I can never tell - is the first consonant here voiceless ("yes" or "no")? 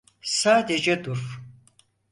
yes